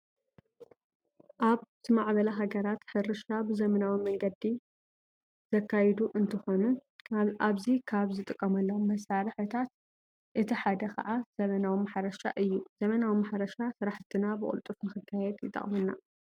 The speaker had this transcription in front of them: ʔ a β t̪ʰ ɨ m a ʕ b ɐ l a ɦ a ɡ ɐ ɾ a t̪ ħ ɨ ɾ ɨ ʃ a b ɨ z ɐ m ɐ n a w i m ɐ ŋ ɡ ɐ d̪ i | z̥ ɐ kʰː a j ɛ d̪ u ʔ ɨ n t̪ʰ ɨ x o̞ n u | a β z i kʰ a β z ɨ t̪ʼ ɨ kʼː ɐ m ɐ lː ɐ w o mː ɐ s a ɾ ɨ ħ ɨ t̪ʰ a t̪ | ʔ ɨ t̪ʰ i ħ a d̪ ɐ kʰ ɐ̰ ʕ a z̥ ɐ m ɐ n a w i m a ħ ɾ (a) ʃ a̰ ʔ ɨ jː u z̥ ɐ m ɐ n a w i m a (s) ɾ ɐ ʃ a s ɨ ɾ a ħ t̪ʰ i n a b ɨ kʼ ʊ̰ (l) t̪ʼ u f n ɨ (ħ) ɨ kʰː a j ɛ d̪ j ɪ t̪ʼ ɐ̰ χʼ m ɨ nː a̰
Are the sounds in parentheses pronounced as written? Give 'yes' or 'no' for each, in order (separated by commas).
no, no, yes, no